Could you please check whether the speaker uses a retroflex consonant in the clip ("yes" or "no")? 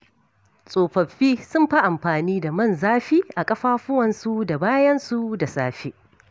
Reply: no